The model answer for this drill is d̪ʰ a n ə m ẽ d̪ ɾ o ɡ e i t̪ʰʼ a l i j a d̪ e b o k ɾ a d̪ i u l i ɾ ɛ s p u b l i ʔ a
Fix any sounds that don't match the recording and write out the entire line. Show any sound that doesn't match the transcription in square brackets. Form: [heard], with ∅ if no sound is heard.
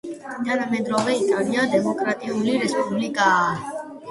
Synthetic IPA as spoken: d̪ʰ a n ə m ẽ d̪ ɾ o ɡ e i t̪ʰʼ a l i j a d̪ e [m] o k ɾ a [t̪] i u l i ɾ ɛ s p u b l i [k] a